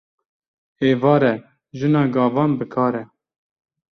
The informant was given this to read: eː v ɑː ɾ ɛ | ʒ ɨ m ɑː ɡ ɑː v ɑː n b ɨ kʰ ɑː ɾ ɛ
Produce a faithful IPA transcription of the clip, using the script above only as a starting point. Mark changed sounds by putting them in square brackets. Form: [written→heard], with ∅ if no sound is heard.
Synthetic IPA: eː v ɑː ɾ ɛ | ʒ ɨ [m→n] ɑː ɡ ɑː v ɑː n b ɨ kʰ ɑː ɾ ɛ